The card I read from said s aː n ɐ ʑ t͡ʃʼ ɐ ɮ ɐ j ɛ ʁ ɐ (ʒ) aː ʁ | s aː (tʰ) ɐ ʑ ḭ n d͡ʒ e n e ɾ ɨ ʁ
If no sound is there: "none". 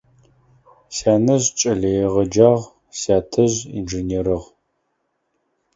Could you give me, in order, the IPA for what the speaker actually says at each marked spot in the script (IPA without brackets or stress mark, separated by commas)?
d͡ʒ, tʰ